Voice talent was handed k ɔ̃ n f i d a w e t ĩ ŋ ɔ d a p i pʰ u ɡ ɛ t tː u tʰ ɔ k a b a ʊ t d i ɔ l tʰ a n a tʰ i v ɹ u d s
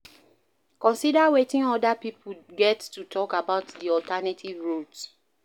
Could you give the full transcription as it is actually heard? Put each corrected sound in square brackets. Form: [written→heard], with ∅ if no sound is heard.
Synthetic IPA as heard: k ɔ̃ n [f→s] i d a w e t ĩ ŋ ɔ d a p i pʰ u ɡ ɛ t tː u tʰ ɔ k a b a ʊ t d i ɔ l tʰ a n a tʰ i v ɹ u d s